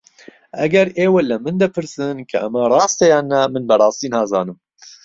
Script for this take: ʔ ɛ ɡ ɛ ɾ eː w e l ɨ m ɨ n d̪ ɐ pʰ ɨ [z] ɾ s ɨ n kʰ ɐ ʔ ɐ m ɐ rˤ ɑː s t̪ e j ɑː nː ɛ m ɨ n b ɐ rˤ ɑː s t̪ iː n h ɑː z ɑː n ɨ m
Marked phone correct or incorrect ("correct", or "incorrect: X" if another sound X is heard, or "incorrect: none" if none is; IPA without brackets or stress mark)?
incorrect: none